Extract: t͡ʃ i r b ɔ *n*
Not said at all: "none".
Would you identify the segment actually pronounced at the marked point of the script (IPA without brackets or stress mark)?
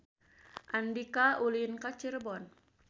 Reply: n